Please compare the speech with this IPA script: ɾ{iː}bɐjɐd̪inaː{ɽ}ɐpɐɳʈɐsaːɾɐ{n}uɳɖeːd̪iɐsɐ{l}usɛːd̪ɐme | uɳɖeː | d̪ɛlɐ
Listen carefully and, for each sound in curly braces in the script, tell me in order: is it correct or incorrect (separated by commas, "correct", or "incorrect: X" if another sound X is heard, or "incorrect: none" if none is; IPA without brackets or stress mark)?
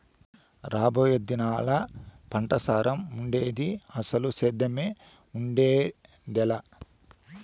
incorrect: aː, incorrect: l, incorrect: m, correct